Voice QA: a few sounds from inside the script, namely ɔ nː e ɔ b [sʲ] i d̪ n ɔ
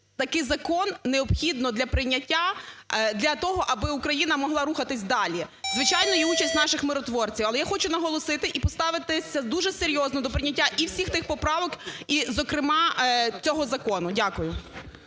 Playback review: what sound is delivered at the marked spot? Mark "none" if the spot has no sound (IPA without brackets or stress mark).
xʲ